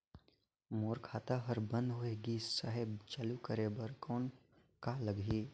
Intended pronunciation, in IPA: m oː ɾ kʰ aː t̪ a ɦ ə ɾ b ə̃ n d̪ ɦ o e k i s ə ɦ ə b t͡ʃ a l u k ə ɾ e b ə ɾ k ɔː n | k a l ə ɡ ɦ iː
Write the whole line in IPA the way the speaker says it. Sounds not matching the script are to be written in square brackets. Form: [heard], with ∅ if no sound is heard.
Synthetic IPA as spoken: m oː ɾ kʰ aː t̪ a ɦ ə ɾ b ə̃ n d̪ ɦ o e [ɡ] i s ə ɦ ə b t͡ʃ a l u k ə ɾ e b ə ɾ k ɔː n | k a l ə ɡ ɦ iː